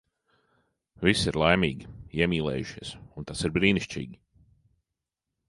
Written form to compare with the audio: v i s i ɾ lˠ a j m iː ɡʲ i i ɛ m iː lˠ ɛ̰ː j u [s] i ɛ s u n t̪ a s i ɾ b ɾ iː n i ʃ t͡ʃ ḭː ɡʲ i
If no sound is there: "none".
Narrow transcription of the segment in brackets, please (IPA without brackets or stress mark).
ʃ